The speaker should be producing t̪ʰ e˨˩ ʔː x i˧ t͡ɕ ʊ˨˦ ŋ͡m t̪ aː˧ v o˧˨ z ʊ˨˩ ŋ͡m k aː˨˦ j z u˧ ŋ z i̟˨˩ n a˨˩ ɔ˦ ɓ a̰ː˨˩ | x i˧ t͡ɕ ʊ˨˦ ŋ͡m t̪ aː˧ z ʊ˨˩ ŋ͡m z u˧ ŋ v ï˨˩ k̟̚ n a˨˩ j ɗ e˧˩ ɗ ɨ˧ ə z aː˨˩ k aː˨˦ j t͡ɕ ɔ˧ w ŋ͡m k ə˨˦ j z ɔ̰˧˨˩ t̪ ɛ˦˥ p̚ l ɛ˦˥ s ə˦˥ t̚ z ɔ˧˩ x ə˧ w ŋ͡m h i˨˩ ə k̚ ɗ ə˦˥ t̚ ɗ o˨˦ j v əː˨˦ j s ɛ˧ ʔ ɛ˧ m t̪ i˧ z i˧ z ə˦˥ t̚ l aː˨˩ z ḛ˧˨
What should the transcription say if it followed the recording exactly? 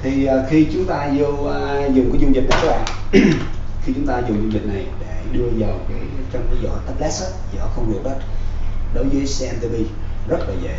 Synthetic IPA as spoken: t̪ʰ i˨˩ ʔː x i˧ t͡ɕ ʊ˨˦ ŋ͡m t̪ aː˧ z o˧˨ z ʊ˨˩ ŋ͡m k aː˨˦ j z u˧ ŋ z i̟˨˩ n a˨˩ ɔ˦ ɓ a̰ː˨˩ | x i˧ t͡ɕ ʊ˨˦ ŋ͡m t̪ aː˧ z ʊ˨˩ ŋ͡m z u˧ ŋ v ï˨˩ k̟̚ n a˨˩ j ɗ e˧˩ ɗ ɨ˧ ə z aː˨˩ k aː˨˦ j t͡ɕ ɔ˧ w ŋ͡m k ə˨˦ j z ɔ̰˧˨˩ t̪ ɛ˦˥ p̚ l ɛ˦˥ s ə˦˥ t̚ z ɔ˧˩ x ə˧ w ŋ͡m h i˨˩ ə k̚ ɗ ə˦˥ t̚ ɗ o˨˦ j v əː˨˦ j s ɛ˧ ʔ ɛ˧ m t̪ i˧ v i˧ z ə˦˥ t̚ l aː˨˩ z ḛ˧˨